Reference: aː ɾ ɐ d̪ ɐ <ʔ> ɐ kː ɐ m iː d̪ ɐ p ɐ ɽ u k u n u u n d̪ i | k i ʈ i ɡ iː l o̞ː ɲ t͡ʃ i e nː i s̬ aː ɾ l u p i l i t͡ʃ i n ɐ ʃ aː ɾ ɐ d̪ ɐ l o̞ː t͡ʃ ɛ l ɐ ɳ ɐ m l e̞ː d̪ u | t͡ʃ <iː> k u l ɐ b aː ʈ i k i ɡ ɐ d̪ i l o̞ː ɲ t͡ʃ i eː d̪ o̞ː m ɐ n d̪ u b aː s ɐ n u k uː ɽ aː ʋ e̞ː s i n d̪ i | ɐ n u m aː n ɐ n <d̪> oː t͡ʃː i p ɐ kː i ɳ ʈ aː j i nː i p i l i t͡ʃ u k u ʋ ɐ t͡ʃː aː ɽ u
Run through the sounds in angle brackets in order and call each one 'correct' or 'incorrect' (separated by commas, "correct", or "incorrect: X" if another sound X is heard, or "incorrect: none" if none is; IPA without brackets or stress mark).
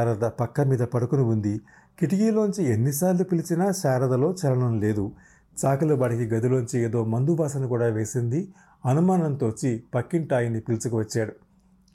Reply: incorrect: p, incorrect: aː, incorrect: t̪